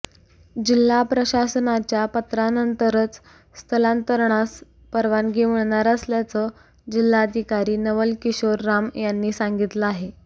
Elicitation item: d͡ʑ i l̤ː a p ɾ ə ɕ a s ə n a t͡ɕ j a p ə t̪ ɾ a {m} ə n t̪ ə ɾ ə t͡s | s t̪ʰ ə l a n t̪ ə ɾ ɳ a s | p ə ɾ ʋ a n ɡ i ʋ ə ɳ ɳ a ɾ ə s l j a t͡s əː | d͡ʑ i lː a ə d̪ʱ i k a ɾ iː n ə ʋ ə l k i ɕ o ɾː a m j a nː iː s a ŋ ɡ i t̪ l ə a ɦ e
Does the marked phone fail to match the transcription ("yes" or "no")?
yes